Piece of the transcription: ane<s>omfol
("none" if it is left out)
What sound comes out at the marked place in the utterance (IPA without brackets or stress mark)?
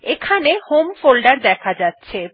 h